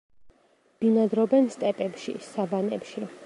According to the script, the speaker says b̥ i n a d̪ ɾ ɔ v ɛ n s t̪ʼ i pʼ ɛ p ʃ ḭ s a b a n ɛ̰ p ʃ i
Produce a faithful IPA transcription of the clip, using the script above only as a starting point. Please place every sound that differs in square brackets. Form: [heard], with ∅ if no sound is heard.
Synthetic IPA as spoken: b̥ i n a d̪ ɾ ɔ [b] ɛ n s t̪ʼ [ɛ] pʼ ɛ p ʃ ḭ s a b a n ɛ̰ p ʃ i

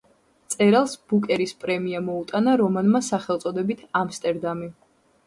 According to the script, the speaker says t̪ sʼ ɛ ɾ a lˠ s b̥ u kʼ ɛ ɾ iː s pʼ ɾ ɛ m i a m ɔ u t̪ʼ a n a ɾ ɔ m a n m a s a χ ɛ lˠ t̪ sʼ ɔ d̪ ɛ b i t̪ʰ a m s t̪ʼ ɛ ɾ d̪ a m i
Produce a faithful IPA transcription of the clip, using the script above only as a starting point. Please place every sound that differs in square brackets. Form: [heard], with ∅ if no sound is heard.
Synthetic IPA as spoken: t̪ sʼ ɛ ɾ a lˠ s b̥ u kʼ ɛ ɾ [i] s pʼ ɾ ɛ m i a m ɔ u t̪ʼ a n a ɾ ɔ m a n m a s a χ ɛ lˠ t̪ sʼ ɔ d̪ ɛ b i t̪ʰ a m s t̪ʼ ɛ ɾ d̪ a m i

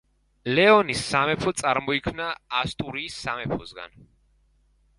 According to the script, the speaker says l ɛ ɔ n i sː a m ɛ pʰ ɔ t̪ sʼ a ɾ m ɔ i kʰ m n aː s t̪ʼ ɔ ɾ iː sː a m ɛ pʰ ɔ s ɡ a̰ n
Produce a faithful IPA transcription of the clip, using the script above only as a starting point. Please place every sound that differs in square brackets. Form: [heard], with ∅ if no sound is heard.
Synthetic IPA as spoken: l ɛ ɔ n i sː a m ɛ pʰ ɔ t̪ sʼ a ɾ m ɔ i kʰ m n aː s t̪ʼ [u] ɾ iː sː a m ɛ pʰ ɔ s ɡ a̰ n

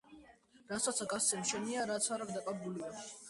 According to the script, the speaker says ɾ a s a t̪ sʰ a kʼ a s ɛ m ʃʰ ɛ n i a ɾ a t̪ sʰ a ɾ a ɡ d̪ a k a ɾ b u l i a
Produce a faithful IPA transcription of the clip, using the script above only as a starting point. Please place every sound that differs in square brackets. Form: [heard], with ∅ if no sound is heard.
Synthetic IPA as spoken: ɾ a s a t̪ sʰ a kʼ a s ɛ m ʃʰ ɛ n i a ɾ a t̪ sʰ a ɾ a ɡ d̪ a [kʼ] a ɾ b u l i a

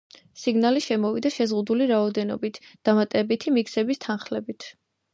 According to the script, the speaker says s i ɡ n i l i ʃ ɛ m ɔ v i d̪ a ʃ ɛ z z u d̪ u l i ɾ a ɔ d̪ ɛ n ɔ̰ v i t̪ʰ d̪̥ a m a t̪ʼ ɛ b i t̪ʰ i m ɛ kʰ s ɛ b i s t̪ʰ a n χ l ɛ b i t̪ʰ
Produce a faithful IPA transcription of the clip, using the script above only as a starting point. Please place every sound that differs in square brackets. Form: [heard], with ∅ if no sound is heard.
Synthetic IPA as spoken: s i ɡ n [a] l i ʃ ɛ m ɔ v i d̪ a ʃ ɛ z [ʁ] u d̪ u l i ɾ a ɔ d̪ ɛ n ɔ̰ [b] i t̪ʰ d̪̥ a m a t̪ʼ ɛ b i t̪ʰ i m [i] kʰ s ɛ b i s t̪ʰ a n χ l ɛ b i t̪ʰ

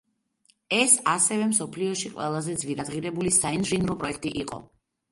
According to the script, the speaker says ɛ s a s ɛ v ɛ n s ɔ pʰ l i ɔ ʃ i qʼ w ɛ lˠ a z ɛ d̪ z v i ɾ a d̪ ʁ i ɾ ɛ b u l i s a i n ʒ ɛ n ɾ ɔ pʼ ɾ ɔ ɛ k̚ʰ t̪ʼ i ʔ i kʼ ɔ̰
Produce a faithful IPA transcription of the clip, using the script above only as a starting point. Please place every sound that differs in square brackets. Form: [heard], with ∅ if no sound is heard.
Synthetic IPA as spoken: ɛ s a s ɛ v ɛ [m] s ɔ pʰ l i ɔ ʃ i qʼ w ɛ lˠ a z ɛ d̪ z v i ɾ a d̪ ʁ i ɾ ɛ b u l i s a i n ʒ [i] n ɾ ɔ pʼ ɾ ɔ ɛ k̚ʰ t̪ʼ i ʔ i [qʼ] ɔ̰

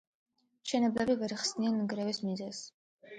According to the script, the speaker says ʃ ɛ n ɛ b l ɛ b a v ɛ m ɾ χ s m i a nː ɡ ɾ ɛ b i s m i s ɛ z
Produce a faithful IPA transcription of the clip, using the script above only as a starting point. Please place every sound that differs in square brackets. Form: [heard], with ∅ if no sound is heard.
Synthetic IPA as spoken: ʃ ɛ n ɛ b l ɛ b [i] v ɛ [∅] ɾ χ s [n] i a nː ɡ ɾ ɛ [v] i s m i [z] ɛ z

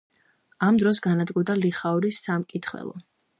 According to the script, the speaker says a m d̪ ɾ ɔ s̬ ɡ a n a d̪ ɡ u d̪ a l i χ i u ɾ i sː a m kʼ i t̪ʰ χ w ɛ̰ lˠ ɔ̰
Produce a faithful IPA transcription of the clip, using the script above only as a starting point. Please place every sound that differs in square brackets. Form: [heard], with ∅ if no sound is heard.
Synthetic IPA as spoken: a m d̪ ɾ ɔ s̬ ɡ a n a d̪ ɡ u d̪ a l i χ [a] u ɾ i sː a m kʼ i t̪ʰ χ w ɛ̰ lˠ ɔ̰

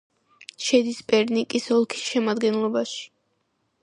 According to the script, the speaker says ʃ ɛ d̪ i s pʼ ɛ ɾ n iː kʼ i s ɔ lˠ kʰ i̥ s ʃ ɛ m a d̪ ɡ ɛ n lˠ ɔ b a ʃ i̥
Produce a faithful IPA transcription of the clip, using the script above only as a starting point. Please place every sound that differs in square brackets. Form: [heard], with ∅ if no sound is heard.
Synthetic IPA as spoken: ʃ ɛ d̪ i s pʼ ɛ ɾ n [i] kʼ i s ɔ lˠ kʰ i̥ s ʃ ɛ m a d̪ ɡ ɛ n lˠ ɔ b a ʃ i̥

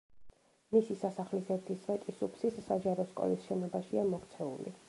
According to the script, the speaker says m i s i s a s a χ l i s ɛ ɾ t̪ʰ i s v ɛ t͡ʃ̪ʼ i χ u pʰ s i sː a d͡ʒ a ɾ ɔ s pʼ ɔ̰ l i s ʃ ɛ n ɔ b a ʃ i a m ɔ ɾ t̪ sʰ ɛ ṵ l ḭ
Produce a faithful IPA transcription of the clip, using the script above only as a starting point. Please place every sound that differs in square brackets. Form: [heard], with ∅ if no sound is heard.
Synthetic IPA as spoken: m i s i s a s a χ l i s ɛ ɾ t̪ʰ i s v ɛ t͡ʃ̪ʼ i [s] u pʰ s i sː a d͡ʒ a ɾ ɔ s [kʼ] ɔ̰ l i s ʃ ɛ n ɔ b a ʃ i a m ɔ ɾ t̪ sʰ ɛ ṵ l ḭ

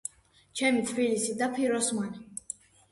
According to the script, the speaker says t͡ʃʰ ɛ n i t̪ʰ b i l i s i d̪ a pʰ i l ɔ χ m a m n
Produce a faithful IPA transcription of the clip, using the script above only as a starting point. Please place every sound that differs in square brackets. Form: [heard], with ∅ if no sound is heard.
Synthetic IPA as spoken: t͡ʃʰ ɛ [m] i t̪ʰ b i l i s i d̪ a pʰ i [ɾ] ɔ [s] m a [∅] n

